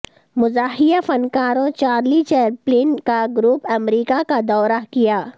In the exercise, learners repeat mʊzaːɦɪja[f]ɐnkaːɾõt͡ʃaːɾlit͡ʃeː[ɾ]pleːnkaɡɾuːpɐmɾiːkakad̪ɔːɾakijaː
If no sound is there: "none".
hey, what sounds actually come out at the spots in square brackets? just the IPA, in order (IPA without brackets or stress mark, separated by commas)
f, ɾ